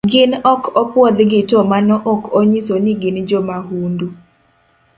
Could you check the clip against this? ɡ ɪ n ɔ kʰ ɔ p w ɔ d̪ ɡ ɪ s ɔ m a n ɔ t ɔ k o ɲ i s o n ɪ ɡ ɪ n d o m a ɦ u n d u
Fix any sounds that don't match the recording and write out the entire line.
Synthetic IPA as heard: ɡ ɪ n ɔ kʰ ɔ p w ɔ d̪ ɡ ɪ t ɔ m a n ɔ ʔ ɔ k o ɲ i s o n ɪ ɡ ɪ n d͡ʒ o m a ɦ u n d u